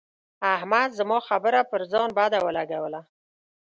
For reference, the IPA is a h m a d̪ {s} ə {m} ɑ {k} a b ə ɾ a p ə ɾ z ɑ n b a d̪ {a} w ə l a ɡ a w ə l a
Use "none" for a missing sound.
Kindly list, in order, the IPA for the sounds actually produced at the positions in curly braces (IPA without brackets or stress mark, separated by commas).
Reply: z, m, x, a